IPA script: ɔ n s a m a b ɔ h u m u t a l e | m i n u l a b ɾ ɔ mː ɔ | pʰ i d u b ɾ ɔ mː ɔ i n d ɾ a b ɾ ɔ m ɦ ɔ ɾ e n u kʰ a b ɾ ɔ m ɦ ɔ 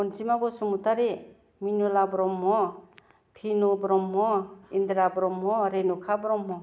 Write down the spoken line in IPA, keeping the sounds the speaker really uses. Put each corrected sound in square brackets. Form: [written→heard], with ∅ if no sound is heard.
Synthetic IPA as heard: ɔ n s [a→i] m a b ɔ [h→s] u m u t a [l→ɾ] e | m i n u l a b ɾ ɔ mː ɔ | pʰ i [d→n] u b ɾ ɔ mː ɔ i n d ɾ a b ɾ ɔ m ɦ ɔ ɾ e n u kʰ a b ɾ ɔ m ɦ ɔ